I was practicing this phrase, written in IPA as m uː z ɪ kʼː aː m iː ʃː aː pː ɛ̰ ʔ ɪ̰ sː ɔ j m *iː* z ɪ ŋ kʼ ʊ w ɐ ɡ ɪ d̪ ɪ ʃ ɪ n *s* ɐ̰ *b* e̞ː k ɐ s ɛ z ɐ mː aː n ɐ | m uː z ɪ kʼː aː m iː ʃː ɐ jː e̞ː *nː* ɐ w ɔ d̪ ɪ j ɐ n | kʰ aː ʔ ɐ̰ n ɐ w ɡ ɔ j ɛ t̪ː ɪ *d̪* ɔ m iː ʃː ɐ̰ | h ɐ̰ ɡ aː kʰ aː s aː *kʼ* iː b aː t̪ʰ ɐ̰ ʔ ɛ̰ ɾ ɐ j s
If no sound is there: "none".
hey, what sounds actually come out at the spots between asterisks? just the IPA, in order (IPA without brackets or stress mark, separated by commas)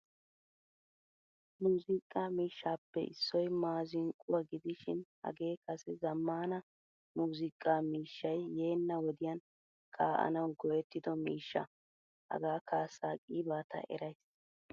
aː, h, ɡ, nː, d̪, kʼ